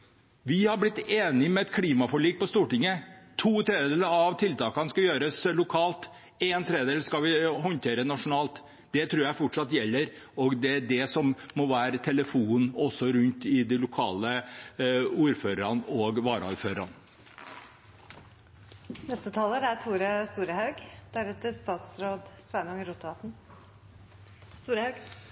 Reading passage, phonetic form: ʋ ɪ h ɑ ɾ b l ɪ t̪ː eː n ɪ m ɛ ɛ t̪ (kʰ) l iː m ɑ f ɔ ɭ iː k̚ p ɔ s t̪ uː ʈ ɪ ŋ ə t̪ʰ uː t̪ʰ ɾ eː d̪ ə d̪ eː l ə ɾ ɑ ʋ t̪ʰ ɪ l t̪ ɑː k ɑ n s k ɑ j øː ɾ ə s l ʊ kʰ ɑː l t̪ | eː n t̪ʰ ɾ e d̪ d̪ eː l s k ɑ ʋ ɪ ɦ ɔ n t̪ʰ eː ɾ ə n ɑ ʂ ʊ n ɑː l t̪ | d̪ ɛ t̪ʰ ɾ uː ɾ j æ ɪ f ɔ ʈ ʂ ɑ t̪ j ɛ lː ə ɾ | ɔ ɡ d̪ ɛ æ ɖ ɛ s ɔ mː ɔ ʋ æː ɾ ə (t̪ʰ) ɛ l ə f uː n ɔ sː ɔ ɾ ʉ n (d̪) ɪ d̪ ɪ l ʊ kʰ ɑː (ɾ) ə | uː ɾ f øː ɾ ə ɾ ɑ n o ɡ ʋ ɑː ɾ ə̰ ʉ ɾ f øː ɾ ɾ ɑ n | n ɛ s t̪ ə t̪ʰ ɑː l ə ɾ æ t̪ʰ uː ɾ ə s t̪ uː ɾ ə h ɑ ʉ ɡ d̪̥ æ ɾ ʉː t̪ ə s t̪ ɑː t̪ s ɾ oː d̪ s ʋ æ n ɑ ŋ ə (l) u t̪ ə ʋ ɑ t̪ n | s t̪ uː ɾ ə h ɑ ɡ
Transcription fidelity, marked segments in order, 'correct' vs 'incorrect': correct, correct, incorrect: t̪, incorrect: l, incorrect: ɾ

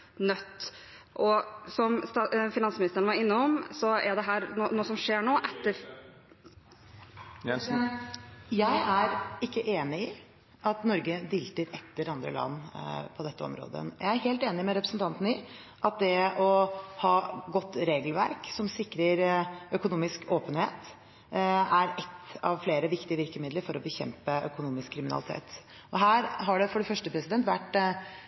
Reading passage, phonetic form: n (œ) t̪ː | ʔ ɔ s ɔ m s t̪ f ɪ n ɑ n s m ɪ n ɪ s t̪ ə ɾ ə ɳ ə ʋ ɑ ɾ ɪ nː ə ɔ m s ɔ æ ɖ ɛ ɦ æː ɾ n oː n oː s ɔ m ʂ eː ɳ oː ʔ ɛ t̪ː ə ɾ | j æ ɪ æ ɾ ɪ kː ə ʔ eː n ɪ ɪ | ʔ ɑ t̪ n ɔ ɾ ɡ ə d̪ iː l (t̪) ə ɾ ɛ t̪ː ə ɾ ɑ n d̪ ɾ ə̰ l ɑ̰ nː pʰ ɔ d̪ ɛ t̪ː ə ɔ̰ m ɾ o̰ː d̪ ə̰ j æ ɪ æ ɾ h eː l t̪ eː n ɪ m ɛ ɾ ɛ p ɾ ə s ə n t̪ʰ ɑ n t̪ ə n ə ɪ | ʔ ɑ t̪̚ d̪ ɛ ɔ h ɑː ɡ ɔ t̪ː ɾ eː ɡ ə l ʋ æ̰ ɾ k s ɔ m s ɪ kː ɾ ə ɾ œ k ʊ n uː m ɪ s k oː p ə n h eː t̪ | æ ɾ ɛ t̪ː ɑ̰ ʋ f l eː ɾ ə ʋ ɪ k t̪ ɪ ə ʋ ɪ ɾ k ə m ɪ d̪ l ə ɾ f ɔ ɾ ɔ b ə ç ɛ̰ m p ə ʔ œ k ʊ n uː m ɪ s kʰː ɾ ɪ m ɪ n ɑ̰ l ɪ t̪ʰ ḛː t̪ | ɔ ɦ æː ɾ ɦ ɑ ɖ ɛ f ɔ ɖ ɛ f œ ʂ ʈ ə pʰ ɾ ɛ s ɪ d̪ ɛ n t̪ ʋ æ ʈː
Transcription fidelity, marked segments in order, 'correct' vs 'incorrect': correct, correct

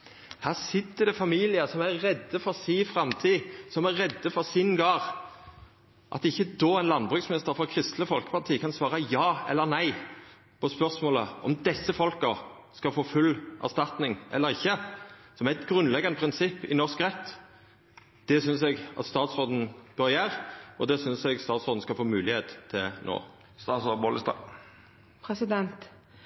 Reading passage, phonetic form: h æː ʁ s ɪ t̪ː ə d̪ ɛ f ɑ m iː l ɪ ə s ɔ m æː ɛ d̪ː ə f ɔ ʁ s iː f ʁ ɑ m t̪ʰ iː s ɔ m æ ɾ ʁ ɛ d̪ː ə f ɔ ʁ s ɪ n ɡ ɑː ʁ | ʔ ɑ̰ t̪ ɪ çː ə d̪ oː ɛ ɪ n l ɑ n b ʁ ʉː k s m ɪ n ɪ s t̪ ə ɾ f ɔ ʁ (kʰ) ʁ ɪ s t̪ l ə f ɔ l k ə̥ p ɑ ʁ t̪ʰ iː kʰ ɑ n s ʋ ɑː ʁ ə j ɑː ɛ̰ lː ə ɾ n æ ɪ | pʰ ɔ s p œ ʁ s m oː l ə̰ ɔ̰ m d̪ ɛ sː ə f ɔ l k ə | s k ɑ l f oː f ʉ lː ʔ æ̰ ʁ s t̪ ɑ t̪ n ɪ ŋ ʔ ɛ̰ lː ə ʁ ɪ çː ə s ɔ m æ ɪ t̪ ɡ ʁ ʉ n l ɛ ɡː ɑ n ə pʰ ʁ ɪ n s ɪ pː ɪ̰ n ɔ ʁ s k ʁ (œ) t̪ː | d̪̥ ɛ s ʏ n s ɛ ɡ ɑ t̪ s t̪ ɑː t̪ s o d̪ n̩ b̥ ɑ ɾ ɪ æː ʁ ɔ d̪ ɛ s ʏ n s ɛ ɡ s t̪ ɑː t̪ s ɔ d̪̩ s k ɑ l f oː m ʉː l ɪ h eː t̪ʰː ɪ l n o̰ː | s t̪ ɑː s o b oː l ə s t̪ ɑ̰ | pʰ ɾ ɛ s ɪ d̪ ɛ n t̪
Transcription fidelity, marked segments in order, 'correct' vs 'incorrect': correct, incorrect: ɛ

